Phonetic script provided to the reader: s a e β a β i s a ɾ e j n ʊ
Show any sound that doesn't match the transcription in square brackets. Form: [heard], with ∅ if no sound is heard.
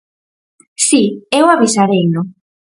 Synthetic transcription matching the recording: s [i] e [w] a β i s a ɾ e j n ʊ